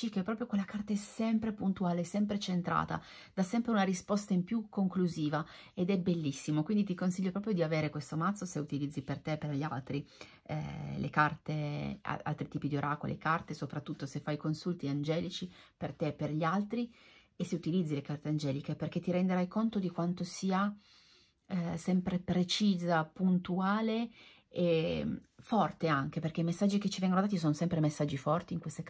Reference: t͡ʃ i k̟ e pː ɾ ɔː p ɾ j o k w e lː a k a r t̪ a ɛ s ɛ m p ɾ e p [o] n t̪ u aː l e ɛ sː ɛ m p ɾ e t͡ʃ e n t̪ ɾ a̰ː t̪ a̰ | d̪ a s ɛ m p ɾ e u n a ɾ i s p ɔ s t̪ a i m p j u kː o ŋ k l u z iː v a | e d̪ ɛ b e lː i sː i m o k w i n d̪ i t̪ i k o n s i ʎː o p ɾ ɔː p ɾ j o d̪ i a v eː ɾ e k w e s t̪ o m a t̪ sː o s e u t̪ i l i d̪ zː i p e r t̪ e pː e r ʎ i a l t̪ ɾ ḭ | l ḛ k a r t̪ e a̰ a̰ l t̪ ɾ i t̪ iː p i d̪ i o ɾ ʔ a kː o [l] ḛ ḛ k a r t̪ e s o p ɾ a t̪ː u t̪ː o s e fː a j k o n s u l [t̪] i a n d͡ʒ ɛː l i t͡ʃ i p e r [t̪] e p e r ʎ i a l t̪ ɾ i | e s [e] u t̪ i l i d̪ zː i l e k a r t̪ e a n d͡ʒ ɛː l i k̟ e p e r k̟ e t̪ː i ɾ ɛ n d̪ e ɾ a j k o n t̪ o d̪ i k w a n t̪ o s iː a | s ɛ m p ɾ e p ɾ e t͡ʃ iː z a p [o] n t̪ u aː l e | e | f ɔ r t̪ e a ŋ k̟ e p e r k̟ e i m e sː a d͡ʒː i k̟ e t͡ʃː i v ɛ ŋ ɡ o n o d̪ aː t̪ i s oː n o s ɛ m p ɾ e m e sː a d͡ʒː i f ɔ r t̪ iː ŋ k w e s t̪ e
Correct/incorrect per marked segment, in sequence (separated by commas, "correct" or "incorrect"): incorrect, correct, correct, correct, correct, incorrect